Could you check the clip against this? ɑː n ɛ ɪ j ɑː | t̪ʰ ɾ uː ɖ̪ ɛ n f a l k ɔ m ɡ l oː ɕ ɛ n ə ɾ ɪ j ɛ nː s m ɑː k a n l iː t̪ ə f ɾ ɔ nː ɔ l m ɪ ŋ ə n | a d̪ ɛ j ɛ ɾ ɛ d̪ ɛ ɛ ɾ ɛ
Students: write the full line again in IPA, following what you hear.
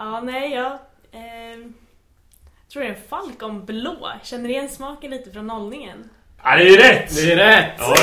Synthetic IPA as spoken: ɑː n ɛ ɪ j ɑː | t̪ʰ ɾ uː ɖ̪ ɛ n f a l k ɔ m b l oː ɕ ɛ nː ə ɾ ɪ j ɛ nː s m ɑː k ə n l iː t̪ ə f ɾ ɔ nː ɔ l n ɪ ŋ ə n | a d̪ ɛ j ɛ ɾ ɛ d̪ ɛ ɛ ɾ ɛ